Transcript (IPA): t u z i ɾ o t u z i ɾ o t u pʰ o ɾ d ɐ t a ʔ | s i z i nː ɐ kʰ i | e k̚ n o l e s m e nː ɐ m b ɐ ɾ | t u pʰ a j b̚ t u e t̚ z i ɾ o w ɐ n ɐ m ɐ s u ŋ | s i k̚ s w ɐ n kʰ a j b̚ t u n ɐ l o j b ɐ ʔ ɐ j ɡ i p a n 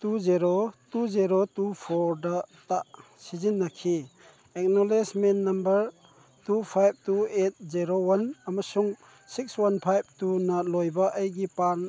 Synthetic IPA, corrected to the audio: t u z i ɾ o t u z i ɾ o t u pʰ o ɾ d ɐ t a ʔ | s i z i nː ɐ kʰ i | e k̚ n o l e s m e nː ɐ m b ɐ ɾ | t u pʰ a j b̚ t u e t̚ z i ɾ o w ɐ n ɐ m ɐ s u ŋ | s i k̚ s w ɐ n pʰ a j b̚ t u n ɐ l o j b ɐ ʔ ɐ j ɡ i p a n